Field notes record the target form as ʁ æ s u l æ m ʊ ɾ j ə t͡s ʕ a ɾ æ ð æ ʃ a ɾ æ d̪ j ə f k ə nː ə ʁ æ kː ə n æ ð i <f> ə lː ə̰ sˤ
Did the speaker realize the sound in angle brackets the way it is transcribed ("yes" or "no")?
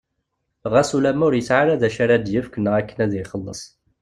no